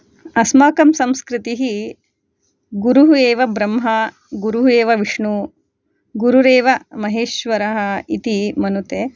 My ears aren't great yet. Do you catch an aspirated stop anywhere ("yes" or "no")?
no